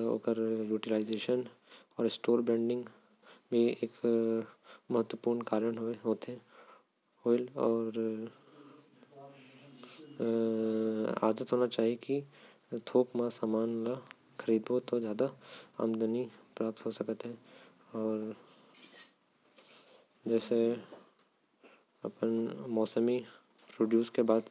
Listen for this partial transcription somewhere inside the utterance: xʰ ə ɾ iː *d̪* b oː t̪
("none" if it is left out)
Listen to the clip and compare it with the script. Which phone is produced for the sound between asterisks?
d̪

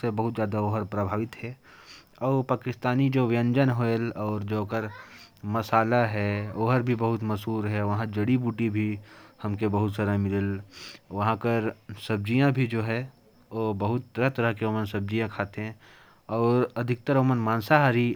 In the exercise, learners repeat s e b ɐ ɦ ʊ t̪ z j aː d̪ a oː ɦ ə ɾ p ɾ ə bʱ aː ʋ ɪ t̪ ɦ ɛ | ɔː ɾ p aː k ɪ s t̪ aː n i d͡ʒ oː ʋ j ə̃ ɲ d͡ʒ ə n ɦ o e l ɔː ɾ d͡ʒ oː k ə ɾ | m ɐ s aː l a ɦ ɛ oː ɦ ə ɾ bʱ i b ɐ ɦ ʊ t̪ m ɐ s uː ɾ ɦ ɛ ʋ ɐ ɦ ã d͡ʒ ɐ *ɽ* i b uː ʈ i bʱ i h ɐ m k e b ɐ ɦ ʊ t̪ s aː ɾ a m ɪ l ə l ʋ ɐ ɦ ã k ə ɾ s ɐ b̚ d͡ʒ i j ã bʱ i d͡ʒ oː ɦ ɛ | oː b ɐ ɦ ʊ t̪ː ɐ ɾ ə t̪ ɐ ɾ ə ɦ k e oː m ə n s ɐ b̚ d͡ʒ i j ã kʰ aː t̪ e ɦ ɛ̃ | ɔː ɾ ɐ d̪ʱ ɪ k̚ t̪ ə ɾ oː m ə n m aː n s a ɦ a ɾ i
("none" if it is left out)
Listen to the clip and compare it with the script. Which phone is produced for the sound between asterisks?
ɽ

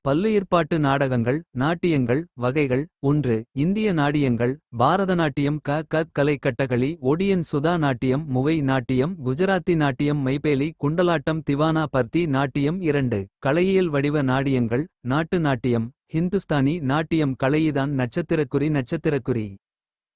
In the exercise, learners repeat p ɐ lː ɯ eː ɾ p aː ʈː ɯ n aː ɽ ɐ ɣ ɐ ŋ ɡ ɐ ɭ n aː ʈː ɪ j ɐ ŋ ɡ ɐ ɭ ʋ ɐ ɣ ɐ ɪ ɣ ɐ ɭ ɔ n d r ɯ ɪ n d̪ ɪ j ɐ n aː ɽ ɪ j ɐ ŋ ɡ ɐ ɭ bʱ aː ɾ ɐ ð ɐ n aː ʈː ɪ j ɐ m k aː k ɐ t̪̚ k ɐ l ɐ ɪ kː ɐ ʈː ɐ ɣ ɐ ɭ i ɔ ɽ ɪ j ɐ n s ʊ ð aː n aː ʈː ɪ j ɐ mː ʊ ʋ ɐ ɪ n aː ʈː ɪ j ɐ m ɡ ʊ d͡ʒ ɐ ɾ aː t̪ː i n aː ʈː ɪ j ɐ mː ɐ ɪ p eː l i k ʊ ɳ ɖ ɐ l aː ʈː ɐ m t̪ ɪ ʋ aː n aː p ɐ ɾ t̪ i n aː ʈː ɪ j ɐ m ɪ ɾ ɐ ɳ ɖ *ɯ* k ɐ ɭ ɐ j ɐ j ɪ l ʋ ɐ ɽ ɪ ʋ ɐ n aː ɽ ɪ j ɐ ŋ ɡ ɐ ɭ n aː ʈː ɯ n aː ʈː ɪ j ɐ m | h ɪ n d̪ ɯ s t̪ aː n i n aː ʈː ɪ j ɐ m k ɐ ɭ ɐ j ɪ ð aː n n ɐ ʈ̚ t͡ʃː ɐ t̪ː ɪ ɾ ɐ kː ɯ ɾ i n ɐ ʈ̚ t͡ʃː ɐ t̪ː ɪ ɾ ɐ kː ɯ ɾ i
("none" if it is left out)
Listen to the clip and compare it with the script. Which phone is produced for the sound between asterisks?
ɯ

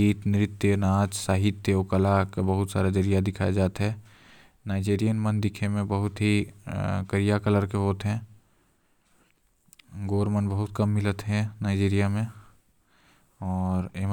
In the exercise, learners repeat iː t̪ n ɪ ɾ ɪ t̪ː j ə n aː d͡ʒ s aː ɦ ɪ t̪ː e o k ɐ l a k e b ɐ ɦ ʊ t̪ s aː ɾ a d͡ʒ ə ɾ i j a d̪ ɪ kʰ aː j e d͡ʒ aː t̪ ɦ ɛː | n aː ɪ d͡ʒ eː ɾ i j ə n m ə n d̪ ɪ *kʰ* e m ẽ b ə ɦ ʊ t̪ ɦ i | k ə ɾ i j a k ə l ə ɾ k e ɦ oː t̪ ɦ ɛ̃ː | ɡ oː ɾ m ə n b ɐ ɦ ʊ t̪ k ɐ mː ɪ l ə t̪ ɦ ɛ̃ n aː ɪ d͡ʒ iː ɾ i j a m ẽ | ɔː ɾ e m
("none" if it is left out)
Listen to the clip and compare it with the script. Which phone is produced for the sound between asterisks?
kʰ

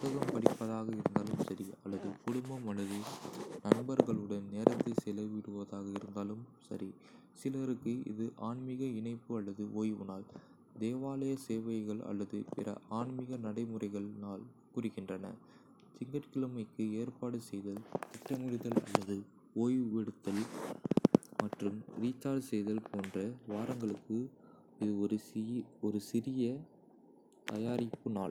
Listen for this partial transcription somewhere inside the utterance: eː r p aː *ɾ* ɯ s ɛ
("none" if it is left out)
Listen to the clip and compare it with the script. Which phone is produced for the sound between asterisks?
ɽ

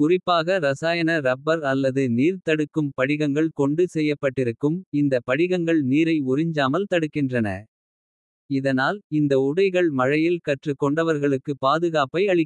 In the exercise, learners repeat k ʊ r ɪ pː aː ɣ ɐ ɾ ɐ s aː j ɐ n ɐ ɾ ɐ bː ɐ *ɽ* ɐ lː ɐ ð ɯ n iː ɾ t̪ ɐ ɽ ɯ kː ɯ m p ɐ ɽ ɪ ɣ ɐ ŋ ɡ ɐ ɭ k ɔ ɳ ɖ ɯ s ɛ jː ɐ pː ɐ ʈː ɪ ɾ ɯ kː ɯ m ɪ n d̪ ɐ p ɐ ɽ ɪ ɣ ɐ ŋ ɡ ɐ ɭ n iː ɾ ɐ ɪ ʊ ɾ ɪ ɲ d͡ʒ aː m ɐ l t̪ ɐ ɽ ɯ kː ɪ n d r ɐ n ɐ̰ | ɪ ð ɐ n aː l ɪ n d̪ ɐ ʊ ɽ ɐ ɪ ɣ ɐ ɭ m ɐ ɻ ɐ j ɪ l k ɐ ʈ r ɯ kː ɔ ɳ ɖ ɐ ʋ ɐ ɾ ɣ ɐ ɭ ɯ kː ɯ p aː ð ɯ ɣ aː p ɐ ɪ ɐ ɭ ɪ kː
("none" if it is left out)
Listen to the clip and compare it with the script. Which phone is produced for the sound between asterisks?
ɾ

